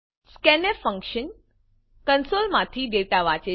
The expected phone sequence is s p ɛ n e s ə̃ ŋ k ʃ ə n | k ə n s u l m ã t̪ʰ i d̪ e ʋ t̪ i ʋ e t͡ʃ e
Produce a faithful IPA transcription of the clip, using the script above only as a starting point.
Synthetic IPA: s k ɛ n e f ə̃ ŋ k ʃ ə n | k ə n s o l m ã t̪ʰ i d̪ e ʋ t̪ a ʋ a t͡ʃ e